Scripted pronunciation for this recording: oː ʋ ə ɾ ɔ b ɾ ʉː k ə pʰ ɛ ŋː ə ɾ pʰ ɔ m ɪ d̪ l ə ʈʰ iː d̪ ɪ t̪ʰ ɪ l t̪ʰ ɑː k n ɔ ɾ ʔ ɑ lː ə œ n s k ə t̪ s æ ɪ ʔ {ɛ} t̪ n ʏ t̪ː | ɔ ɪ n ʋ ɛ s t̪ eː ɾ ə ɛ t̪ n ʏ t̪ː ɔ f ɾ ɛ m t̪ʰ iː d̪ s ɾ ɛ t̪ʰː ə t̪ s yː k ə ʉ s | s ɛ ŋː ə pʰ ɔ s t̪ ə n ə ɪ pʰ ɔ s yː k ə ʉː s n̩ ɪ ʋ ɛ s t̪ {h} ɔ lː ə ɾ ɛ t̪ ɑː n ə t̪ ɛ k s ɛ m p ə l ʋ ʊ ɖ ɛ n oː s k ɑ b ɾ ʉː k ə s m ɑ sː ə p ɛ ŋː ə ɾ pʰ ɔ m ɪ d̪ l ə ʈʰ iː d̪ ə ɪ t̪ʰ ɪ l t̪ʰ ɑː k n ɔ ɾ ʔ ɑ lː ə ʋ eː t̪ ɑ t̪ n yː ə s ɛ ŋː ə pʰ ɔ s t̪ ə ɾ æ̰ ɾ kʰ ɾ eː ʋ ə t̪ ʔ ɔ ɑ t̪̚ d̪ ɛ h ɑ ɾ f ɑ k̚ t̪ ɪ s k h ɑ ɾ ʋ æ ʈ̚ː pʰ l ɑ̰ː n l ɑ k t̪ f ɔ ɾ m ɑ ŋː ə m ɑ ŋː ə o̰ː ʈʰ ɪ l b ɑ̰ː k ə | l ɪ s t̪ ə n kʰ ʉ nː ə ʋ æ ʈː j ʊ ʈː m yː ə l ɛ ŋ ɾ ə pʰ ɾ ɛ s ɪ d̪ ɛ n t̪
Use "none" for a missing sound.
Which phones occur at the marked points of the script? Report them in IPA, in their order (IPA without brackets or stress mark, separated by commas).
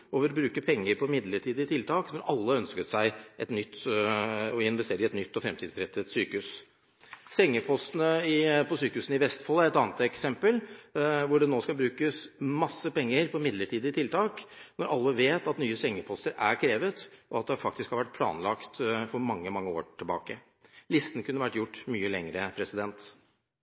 ɛ, f